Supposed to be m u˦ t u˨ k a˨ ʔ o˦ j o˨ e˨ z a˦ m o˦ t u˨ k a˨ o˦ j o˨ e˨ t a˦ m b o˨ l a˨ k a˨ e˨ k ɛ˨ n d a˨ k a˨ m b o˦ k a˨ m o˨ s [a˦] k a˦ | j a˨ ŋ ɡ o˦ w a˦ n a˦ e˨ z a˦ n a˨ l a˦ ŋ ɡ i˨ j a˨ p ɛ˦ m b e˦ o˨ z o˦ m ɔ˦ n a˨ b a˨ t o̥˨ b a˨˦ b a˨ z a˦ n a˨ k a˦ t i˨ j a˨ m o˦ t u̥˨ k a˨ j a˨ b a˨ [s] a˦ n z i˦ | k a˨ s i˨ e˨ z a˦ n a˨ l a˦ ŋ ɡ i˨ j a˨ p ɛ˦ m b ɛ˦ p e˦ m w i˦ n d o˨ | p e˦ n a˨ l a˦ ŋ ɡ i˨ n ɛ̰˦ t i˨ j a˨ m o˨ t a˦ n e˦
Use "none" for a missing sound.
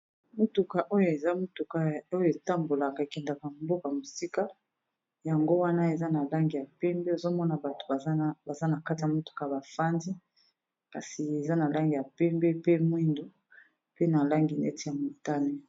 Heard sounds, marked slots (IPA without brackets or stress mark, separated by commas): i˦, f